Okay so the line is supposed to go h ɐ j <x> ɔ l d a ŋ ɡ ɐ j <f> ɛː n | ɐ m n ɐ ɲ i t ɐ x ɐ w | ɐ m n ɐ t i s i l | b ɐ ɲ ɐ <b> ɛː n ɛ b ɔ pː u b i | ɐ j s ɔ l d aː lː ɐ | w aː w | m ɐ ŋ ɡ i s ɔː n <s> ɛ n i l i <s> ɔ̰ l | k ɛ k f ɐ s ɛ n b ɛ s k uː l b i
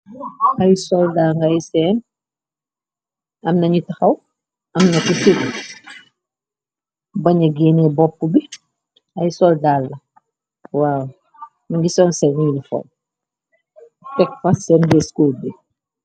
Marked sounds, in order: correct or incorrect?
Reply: incorrect, incorrect, incorrect, correct, incorrect

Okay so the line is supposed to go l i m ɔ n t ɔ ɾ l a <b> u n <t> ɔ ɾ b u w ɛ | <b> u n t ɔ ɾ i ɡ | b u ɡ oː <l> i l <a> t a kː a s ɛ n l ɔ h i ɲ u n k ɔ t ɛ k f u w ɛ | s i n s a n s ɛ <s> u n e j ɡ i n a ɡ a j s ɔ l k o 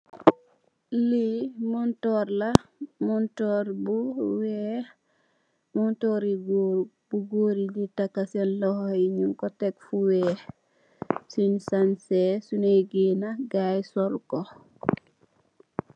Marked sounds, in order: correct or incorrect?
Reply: incorrect, correct, incorrect, incorrect, incorrect, correct

